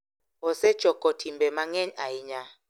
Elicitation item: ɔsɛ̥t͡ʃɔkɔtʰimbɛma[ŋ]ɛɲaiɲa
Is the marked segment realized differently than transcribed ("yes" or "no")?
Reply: no